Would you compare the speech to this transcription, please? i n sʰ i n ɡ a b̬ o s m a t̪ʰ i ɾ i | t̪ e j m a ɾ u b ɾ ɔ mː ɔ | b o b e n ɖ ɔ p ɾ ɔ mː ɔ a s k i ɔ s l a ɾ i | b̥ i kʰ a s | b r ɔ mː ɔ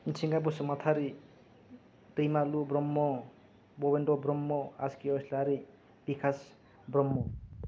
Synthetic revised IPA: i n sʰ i ŋ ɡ a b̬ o s m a t̪ʰ a ɾ i | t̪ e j m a l u b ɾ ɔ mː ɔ | b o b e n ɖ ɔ b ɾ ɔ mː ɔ a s k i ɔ s l a ɾ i | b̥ i kʰ a s | b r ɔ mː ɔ

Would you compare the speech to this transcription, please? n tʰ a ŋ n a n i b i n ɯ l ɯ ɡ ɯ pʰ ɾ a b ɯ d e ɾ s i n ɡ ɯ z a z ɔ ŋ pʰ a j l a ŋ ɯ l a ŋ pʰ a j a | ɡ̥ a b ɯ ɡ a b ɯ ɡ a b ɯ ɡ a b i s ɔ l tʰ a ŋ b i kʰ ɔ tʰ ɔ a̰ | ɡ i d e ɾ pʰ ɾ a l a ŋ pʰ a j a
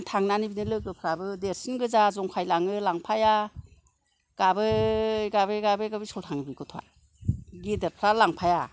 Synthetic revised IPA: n tʰ a ŋ n a n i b i n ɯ l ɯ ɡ ɯ pʰ ɾ a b ɯ d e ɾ s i n ɡ ɯ z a z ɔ ŋ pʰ a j l a ŋ ɯ l a ŋ pʰ a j a | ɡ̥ a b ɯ ɡ a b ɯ ɡ a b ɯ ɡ a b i s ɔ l tʰ a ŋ b i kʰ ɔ tʰ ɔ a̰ | ɡ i d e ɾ pʰ ɾ a l a ŋ pʰ a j a

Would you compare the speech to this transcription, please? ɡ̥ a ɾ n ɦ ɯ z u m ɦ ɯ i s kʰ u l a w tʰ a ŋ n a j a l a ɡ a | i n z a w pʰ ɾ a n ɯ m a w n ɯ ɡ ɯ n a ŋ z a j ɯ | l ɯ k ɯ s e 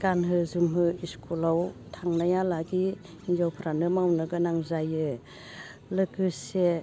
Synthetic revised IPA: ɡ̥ a n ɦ ɯ z u m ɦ ɯ i s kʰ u l a w tʰ a ŋ n a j a l a ɡ i | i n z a w pʰ ɾ a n ɯ m a w n ɯ ɡ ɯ n a ŋ z a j ɯ | l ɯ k ɯ s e

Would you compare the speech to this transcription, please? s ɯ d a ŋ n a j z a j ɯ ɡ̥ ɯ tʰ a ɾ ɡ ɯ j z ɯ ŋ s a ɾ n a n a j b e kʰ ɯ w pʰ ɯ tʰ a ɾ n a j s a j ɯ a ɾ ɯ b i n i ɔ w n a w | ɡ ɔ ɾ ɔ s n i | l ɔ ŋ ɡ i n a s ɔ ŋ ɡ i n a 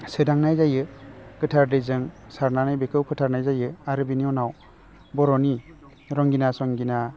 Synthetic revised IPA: s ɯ d a ŋ n a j z a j ɯ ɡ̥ ɯ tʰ a ɾ d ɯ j z ɯ ŋ s a ɾ n a n a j b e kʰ ɯ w pʰ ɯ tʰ a ɾ n a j z a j ɯ a ɾ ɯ b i n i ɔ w n a w | b ɔ ɾ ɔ n i | ɾ ɔ ŋ ɡ i n a s ɔ ŋ ɡ i n a

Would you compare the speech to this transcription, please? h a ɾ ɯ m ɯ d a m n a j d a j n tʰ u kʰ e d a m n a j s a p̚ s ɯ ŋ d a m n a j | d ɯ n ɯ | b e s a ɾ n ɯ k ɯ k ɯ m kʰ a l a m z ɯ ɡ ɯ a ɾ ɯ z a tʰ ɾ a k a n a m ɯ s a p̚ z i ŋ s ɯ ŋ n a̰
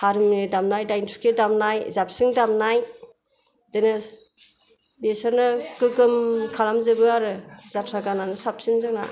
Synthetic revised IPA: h a ɾ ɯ m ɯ d a m n a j d a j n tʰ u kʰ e d a m n a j z a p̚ s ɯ ŋ d a m n a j | d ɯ n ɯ | b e s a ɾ n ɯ k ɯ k ɯ m kʰ a l a m z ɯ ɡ ɯ a ɾ ɯ z a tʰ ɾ a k a n a n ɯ s a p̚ s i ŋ z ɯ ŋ n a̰

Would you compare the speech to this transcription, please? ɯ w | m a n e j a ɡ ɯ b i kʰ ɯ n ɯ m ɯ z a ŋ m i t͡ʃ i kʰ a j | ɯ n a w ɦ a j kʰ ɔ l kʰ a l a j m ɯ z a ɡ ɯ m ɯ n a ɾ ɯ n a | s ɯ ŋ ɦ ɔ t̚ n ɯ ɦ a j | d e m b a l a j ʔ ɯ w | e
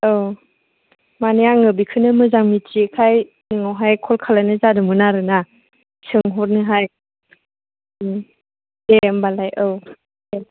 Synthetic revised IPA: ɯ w | m a n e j a ŋ ɯ b i kʰ ɯ n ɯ m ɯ z a ŋ m i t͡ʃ i kʰ a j | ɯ ŋ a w ɦ a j kʰ ɔ l kʰ a l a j n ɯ z a d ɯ m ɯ n a ɾ ɯ n a | s ɯ ŋ ɦ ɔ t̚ n ɯ ɦ a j | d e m b a l a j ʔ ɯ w | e

